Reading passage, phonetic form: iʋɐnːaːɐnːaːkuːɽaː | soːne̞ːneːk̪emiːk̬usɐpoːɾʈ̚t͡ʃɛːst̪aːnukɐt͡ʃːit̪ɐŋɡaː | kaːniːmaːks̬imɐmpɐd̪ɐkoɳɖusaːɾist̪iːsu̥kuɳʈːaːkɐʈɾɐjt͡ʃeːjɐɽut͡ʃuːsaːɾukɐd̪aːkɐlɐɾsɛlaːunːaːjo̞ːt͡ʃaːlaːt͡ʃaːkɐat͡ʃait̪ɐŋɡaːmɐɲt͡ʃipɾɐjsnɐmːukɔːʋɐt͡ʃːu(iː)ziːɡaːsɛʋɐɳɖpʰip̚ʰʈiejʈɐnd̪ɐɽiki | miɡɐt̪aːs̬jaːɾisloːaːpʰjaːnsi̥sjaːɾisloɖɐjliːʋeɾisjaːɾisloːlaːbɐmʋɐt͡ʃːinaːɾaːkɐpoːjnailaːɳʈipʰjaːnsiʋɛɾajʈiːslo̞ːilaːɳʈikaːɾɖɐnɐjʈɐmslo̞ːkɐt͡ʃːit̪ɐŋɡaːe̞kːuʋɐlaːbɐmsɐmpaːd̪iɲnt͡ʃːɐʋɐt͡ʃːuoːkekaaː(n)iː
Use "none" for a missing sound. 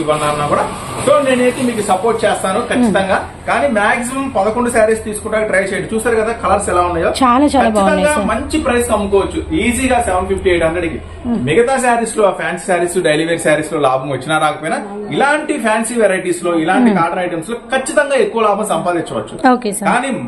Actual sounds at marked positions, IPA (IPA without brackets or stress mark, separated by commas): iː, n